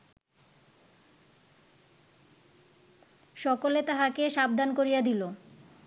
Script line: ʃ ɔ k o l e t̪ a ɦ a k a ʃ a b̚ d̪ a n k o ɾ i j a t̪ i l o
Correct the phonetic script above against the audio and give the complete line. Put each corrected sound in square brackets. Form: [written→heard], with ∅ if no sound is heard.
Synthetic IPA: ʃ ɔ k o l e t̪ a ɦ a k [a→e] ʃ a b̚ d̪ a n k o ɾ i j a [t̪→d̪] i l o